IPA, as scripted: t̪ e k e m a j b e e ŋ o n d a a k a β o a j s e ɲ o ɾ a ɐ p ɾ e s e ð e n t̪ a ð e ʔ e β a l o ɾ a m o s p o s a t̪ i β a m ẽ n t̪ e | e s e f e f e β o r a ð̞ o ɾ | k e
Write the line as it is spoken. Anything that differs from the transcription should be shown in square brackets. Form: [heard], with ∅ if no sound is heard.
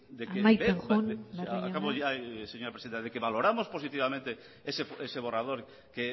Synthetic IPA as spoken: [d̪] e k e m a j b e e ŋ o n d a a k a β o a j s e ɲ o ɾ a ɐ p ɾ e s [i] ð e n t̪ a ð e [k] e β a l o ɾ a m o s p o s [i] t̪ i β a m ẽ n t̪ e | e s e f e [s] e β o r a ð̞ o ɾ | k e

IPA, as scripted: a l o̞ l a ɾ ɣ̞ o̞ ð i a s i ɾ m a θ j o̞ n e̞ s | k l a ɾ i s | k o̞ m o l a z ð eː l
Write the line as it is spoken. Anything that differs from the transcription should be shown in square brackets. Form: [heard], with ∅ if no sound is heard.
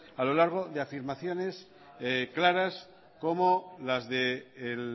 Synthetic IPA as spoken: a l o̞ l a ɾ ɣ̞ o̞ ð [e] a [f] i ɾ m a θ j o̞ n e̞ s | k l a ɾ [a] s | k o̞ m o l a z ð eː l

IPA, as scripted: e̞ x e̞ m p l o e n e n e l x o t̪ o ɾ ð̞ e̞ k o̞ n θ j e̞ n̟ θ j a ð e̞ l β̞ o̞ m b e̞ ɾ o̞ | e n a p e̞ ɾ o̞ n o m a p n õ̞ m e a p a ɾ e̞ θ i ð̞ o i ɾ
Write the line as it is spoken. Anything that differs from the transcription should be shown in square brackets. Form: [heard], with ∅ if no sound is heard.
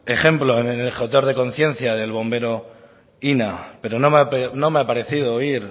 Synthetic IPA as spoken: e̞ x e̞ m p l o e n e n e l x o t̪ o ɾ ð̞ e̞ k o̞ n θ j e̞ n̟ θ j a ð e̞ l β̞ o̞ m b e̞ ɾ o̞ | [i] n a p e̞ ɾ o̞ n o m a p n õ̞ m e a p a ɾ e̞ θ i ð̞ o i ɾ

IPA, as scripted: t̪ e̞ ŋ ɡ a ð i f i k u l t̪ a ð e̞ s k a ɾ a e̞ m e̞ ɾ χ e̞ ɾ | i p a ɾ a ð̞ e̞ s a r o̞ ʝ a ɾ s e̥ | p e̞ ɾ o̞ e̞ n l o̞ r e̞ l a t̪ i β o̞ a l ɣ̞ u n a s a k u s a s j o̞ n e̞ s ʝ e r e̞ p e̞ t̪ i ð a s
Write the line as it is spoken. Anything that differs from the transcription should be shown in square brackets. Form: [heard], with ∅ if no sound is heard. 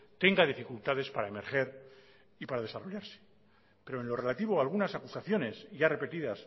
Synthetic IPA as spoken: t̪ e̞ ŋ ɡ a ð i f i k u l t̪ a ð e̞ s [p] a ɾ a e̞ m e̞ ɾ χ e̞ ɾ | i p a ɾ a ð̞ e̞ s a r o̞ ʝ a ɾ s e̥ | p e̞ ɾ o̞ e̞ n l o̞ r e̞ l a t̪ i β o̞ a l ɣ̞ u n a s a k u s a [θ] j o̞ n e̞ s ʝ [a] r e̞ p e̞ t̪ i ð a s

